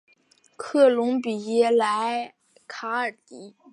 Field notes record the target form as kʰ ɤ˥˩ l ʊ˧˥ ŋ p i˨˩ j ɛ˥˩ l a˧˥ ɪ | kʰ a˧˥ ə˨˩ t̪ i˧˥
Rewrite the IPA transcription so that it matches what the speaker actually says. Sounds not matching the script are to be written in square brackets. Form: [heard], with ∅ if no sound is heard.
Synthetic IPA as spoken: kʰ ɤ˥˩ l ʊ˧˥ ŋ p i˨˩ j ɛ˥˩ l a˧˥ ɪ | kʰ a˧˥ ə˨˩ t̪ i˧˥

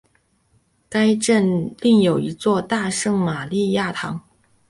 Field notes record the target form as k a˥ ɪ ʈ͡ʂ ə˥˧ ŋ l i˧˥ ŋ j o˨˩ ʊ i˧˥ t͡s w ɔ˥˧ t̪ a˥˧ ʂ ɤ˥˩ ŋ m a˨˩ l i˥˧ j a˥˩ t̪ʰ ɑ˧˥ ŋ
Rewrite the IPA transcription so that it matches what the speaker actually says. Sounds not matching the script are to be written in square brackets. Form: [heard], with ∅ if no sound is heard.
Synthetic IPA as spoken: k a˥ ɪ ʈ͡ʂ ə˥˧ [n] l [i˥˩] ŋ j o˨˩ ʊ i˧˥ t͡s w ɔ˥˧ t̪ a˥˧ ʂ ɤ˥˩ ŋ m a˨˩ l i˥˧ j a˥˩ t̪ʰ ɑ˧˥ ŋ

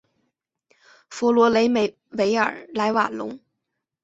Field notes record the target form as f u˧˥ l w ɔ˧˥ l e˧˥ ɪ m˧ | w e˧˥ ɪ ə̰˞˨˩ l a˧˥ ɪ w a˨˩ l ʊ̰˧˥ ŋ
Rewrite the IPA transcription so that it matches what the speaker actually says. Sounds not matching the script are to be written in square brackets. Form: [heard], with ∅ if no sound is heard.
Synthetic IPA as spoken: f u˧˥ l w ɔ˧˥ l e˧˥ ɪ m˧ | w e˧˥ ɪ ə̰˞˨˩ l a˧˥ ɪ w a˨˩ l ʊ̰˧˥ ŋ

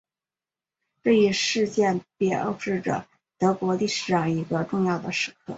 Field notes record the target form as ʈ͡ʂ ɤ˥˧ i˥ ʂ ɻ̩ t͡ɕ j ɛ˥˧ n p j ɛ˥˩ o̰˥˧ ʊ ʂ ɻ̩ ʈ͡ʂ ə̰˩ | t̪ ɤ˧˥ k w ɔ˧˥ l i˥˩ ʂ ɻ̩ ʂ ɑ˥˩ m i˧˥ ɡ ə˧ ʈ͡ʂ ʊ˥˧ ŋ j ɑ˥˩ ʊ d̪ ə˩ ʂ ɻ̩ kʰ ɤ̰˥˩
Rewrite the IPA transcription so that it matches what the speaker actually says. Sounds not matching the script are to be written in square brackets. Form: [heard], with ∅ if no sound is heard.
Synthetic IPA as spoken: ʈ͡ʂ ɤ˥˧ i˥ ʂ ɻ̩ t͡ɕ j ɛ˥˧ n p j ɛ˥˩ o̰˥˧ ʊ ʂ ɻ̩ ʈ͡ʂ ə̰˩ | t̪ ɤ˧˥ k w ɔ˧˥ l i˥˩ ʂ ɻ̩ ʂ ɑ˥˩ [ŋ] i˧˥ ɡ ə˧ ʈ͡ʂ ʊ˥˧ ŋ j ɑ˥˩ ʊ d̪ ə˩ ʂ ɻ̩ kʰ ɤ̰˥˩

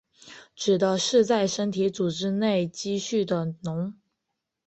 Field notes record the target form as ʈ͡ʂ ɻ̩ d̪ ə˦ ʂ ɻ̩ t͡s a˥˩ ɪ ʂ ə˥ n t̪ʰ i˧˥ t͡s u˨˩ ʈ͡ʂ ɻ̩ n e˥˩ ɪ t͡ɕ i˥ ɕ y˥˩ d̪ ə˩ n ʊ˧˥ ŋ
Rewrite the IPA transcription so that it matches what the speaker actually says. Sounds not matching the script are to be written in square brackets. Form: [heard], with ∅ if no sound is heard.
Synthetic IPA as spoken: ʈ͡ʂ ɻ̩ d̪ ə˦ ʂ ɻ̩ t͡s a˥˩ ɪ ʂ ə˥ n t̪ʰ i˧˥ t͡s u˨˩ ʈ͡ʂ ɻ̩ n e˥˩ ɪ t͡ɕ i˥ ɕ y˥˩ d̪ ə˩ n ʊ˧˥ ŋ

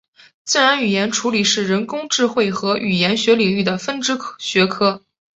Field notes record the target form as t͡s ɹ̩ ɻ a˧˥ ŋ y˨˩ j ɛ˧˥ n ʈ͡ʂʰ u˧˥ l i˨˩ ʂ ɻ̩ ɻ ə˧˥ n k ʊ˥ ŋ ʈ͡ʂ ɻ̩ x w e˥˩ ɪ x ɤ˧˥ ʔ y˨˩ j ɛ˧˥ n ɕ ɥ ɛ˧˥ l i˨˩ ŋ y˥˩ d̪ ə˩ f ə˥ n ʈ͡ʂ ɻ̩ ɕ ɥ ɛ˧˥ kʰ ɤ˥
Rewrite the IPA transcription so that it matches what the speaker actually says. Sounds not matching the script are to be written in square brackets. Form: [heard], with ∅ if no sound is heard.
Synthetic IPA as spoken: t͡s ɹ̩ ɻ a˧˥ [n] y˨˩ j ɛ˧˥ n ʈ͡ʂʰ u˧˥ l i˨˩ ʂ ɻ̩ ɻ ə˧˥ n k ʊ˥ ŋ ʈ͡ʂ ɻ̩ x w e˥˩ ɪ x ɤ˧˥ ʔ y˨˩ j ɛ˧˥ n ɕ ɥ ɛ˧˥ l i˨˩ ŋ y˥˩ d̪ ə˩ f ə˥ n ʈ͡ʂ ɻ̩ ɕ ɥ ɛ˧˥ kʰ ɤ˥

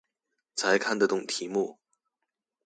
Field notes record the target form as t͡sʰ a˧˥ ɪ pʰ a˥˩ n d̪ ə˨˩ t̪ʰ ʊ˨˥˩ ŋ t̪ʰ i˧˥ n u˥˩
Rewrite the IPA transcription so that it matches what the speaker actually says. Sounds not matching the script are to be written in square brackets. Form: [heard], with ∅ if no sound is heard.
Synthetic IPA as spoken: t͡sʰ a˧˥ ɪ [kʰ] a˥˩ n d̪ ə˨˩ [t̪] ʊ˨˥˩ ŋ t̪ʰ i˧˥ [m] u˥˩

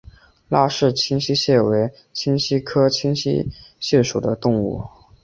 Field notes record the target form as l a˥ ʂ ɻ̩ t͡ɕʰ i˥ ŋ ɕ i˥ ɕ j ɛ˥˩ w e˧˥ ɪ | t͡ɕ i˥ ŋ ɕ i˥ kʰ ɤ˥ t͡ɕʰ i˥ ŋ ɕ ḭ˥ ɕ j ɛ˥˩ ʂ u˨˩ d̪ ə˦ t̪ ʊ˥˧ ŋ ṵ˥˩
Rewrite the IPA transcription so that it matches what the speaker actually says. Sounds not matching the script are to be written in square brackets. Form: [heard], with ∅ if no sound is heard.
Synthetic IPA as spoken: l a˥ ʂ ɻ̩ t͡ɕʰ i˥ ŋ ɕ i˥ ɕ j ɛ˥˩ w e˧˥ ɪ | [t͡ɕʰ] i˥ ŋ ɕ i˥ kʰ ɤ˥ t͡ɕʰ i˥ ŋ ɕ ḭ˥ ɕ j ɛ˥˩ ʂ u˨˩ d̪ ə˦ t̪ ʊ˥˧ ŋ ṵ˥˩

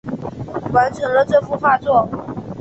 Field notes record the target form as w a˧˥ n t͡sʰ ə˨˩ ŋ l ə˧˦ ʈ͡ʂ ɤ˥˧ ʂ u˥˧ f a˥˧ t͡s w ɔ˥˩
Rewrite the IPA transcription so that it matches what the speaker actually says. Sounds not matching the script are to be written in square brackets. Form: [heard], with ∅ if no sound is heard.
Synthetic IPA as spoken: w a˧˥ n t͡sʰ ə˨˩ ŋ l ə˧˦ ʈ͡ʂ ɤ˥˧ [f] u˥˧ f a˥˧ t͡s w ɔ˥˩

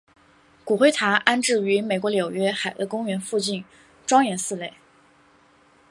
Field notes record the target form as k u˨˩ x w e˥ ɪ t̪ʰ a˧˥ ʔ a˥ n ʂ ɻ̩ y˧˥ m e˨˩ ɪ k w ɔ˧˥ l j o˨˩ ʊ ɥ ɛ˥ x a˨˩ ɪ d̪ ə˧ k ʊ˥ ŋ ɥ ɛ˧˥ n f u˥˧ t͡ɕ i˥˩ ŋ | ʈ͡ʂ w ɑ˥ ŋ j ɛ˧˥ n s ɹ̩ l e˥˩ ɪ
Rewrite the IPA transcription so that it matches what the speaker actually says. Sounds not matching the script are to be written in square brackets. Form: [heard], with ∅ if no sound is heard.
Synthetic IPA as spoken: k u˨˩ x w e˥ ɪ t̪ʰ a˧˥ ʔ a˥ n [ʈ͡ʂ] ɻ̩ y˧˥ m e˨˩ ɪ k w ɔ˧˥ l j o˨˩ ʊ ɥ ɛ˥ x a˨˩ ɪ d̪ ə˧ k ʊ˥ ŋ ɥ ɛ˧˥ n f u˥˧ t͡ɕ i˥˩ [n] | ʈ͡ʂ w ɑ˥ ŋ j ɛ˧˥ n s ɹ̩ l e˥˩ ɪ

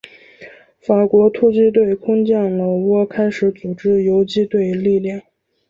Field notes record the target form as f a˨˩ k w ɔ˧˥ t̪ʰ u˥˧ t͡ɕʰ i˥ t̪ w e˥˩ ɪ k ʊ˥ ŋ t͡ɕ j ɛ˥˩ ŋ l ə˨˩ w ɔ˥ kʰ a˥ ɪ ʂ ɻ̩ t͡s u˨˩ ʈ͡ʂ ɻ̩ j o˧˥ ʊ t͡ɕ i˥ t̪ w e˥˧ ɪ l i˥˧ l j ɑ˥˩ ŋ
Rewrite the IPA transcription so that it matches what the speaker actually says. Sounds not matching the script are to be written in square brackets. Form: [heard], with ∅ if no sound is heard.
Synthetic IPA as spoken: f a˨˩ k w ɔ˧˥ t̪ʰ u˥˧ [t͡ɕ] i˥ t̪ w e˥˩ ɪ [kʰ] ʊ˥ ŋ t͡ɕ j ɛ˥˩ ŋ l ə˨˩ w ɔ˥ kʰ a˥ ɪ ʂ ɻ̩ t͡s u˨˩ ʈ͡ʂ ɻ̩ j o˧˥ ʊ t͡ɕ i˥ t̪ w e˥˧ ɪ l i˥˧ l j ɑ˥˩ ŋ

